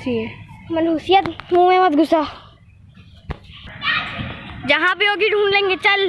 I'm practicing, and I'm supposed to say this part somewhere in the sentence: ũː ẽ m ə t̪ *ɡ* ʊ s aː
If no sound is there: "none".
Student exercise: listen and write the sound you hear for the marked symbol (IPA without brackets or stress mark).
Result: ɡ